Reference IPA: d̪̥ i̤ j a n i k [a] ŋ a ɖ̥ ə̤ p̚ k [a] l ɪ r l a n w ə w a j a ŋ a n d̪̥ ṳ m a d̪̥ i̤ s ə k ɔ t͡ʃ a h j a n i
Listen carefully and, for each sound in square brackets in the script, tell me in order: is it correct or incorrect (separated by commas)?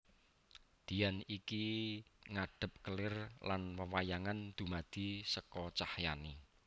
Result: incorrect, incorrect